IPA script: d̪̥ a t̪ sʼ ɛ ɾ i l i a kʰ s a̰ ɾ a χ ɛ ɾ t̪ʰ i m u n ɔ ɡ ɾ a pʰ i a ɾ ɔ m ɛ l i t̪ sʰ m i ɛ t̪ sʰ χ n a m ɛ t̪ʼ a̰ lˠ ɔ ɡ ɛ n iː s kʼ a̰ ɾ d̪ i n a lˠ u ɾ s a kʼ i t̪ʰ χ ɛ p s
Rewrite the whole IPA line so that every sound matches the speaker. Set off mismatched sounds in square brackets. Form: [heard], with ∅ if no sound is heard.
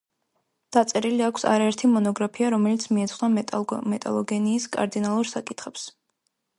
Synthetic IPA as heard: d̪̥ a t̪ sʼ ɛ ɾ i l i a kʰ s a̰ ɾ a [∅] ɛ ɾ t̪ʰ i m [ɔ] n ɔ ɡ ɾ a pʰ i a ɾ ɔ m ɛ l i t̪ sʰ m i ɛ t̪ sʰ χ n a m ɛ t̪ʼ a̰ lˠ ɔ ɡ ɛ n iː s kʼ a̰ ɾ d̪ i n a lˠ u ɾ s a kʼ i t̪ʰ χ ɛ p s